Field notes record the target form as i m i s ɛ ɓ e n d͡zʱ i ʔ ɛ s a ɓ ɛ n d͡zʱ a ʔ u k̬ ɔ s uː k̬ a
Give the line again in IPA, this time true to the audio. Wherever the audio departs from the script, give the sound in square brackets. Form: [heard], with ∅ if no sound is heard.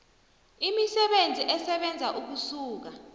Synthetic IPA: i m i s ɛ ɓ e n d͡zʱ i ʔ ɛ s [ɛ] ɓ ɛ n d͡zʱ a ʔ u k̬ [u] s uː k̬ a